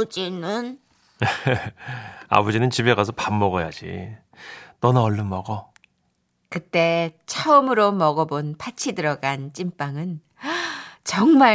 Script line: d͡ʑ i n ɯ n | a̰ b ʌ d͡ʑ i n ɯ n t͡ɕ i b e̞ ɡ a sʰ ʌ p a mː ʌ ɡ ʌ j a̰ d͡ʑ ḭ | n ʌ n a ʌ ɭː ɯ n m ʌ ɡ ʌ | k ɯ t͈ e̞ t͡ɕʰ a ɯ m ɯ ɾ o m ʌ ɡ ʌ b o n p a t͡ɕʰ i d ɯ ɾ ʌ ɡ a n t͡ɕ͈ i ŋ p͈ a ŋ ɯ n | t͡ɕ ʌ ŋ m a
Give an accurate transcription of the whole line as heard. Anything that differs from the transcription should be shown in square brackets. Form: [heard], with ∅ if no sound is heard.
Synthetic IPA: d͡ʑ i n ɯ n | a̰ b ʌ d͡ʑ i n ɯ n t͡ɕ i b e̞ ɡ a sʰ ʌ p a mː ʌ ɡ ʌ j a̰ d͡ʑ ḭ | n ʌ n a ʌ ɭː ɯ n m ʌ ɡ ʌ | k ɯ t͈ e̞ t͡ɕʰ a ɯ m ɯ ɾ o m ʌ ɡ ʌ b o n p a t͡ɕʰ i d ɯ ɾ ʌ ɡ a n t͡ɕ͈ i [m] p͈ a ŋ ɯ n | t͡ɕ ʌ ŋ m a